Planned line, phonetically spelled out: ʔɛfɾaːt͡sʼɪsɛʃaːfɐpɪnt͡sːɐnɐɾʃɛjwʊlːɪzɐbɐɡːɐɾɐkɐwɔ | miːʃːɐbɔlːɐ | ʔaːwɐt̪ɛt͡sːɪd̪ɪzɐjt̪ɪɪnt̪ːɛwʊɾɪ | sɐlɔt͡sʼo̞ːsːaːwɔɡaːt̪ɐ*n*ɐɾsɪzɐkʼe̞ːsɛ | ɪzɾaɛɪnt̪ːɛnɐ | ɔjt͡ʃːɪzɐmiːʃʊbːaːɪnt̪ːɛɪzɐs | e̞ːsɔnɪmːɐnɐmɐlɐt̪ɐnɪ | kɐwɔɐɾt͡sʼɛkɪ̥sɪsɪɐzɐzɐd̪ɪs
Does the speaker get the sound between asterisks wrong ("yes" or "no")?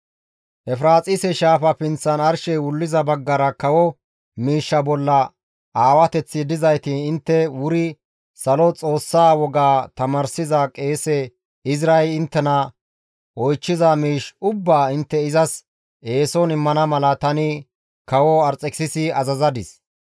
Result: yes